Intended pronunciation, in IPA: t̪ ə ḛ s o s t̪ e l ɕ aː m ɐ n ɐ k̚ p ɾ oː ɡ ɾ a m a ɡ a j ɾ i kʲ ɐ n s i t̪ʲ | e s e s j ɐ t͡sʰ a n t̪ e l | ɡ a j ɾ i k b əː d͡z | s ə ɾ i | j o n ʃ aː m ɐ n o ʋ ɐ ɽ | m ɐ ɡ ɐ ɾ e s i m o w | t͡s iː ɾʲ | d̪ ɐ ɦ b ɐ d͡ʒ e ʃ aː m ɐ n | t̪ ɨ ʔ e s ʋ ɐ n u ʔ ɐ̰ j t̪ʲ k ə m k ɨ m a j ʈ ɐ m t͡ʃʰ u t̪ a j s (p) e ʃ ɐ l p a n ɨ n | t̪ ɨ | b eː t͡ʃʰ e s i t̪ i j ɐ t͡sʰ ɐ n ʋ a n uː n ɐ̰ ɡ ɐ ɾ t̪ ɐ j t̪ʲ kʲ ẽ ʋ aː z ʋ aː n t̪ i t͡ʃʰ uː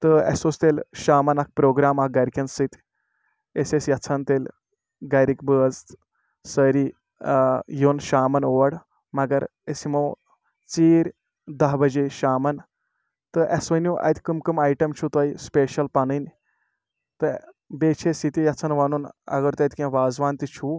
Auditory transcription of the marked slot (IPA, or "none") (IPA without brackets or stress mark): p